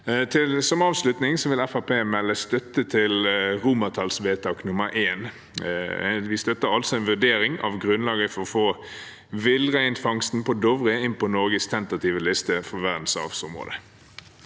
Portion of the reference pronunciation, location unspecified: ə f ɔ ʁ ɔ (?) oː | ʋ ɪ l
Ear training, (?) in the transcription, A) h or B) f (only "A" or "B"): B